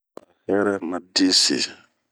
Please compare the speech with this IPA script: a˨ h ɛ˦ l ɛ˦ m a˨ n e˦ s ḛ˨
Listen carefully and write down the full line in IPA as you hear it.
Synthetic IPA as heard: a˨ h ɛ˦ ɾ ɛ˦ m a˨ d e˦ s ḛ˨

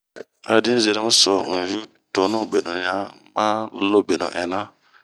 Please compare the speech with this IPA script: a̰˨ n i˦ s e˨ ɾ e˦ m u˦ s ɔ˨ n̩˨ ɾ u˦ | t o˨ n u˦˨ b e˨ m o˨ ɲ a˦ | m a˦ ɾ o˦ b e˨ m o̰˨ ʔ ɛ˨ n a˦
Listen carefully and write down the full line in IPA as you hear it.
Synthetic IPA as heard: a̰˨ d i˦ z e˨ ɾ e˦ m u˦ s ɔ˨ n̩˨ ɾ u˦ | t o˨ n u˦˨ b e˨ n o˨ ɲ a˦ | m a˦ l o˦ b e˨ n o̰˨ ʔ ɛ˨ n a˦

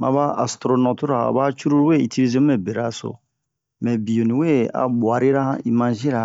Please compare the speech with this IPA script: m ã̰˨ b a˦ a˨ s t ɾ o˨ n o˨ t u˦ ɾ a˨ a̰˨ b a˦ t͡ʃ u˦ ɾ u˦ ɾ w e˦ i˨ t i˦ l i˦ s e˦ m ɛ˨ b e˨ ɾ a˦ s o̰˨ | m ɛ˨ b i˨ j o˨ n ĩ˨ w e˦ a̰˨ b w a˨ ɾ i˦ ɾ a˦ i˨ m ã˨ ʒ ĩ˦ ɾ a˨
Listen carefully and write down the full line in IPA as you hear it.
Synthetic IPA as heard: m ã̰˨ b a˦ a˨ s t ɾ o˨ n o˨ t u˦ ɾ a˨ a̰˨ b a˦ t͡ʃ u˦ ɾ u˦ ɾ w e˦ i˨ t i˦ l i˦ z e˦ m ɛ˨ b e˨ ɾ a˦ s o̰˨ | m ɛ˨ b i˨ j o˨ n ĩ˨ w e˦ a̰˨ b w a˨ ɾ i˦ ɾ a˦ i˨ m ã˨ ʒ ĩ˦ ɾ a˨

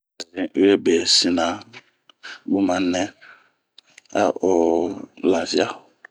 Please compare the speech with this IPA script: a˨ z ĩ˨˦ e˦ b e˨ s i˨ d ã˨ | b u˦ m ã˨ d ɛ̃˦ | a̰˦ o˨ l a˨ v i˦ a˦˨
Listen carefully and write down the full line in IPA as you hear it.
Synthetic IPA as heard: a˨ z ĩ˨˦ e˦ b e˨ s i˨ n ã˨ | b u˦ m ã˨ n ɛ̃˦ | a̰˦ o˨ l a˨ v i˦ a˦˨

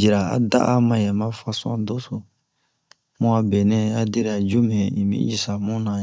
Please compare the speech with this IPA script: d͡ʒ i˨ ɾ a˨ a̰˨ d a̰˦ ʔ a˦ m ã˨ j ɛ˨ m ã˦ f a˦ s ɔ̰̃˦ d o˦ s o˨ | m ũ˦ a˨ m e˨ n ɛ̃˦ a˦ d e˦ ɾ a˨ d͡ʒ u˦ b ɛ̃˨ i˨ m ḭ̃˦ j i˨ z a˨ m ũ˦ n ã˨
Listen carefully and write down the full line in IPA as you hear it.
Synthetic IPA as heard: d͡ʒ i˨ ɾ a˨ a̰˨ d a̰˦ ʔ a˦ m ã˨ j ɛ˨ m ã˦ f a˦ s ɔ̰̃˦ d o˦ s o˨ | m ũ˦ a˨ b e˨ n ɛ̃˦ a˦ d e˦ ɾ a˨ d͡ʒ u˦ m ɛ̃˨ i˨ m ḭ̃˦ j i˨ s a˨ m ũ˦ n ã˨

